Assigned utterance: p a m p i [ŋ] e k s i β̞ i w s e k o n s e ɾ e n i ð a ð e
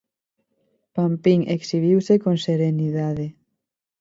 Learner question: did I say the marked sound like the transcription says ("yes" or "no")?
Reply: yes